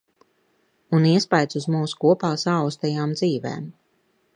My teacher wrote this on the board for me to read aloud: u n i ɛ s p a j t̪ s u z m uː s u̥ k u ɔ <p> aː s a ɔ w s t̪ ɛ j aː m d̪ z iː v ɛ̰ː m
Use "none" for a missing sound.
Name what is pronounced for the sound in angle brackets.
p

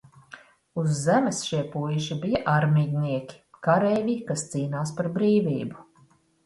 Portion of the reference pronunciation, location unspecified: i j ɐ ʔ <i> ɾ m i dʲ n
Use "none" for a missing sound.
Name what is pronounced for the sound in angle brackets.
a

